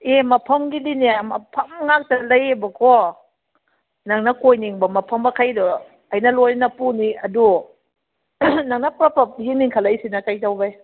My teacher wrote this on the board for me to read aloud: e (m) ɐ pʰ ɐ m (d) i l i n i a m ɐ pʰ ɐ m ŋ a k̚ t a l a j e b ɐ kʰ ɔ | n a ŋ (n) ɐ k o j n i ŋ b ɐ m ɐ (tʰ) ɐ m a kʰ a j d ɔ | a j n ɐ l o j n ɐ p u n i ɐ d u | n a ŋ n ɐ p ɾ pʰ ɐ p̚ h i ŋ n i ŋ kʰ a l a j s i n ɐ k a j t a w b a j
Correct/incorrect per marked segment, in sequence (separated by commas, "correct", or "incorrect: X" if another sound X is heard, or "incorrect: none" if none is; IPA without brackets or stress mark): correct, incorrect: ɡ, correct, incorrect: pʰ